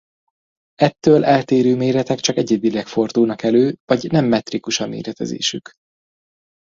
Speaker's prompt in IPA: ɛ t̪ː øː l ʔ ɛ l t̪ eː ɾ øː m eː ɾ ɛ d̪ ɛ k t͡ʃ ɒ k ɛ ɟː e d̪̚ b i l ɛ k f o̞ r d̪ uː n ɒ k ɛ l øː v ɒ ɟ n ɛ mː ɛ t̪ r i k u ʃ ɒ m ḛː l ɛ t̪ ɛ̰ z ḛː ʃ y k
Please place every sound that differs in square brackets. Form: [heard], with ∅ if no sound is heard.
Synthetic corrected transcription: ɛ t̪ː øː l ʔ ɛ l t̪ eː ɾ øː m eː ɾ ɛ [t̪] ɛ k t͡ʃ ɒ k ɛ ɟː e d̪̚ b i l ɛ k f o̞ r d̪ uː n ɒ k ɛ l øː v ɒ ɟ n ɛ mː ɛ t̪ r i k u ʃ ɒ m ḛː [ɾ] ɛ t̪ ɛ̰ z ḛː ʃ y k